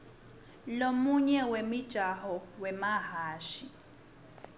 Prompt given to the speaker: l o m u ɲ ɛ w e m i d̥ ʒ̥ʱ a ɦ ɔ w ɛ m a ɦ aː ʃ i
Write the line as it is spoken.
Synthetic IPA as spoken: l o m u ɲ ɛ w e m i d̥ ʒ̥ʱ a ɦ ɔ w ɛ m a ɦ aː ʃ i